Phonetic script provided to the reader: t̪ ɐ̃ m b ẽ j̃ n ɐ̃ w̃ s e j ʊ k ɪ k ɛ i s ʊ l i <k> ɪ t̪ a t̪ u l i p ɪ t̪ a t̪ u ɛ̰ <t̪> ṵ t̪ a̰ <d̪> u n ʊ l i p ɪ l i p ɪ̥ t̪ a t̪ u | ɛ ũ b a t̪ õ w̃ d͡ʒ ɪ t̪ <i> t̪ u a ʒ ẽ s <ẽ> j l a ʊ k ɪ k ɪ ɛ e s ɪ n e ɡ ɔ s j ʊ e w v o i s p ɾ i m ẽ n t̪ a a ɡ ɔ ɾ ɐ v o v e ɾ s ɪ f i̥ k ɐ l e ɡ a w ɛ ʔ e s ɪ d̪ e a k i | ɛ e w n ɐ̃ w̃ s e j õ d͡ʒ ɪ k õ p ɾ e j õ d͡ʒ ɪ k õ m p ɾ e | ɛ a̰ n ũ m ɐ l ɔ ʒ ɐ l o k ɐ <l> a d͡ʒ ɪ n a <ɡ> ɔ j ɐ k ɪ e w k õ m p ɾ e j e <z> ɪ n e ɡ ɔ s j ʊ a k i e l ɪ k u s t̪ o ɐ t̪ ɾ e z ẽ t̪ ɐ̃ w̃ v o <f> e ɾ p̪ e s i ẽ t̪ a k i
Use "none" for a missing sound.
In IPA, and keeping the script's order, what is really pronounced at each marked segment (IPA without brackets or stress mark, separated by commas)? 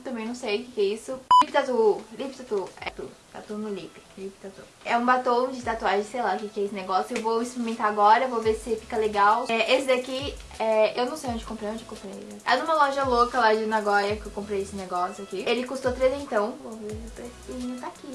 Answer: p, t̪, t̪, a, e, l, ɡ, s, v